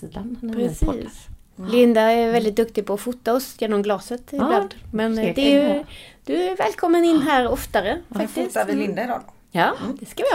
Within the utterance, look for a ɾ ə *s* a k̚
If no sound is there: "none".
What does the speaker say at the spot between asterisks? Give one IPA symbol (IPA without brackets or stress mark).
f